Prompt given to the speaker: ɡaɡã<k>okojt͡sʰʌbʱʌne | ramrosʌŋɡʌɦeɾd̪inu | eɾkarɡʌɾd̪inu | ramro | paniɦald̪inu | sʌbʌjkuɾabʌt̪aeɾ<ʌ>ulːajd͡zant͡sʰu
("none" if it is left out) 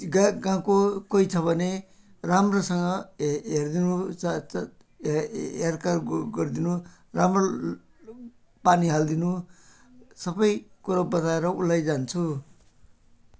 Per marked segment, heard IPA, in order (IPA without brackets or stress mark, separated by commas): k, ʌ